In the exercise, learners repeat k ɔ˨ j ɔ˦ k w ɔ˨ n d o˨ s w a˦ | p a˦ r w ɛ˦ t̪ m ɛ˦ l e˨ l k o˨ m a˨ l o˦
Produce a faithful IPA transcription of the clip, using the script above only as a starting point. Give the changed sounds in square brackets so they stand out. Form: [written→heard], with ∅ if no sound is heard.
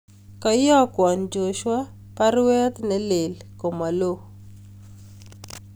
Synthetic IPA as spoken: k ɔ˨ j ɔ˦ k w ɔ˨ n [d→d͡ʒ] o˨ [s→ʃ] w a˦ | p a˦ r w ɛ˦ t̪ [m→n] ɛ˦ l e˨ l k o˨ m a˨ l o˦